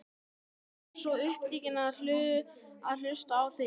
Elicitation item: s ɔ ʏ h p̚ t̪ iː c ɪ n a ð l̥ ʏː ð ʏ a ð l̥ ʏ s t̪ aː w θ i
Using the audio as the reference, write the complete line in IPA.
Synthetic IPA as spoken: s ɔ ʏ h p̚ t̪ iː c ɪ n a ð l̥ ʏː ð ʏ a ð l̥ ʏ s t̪ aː w θ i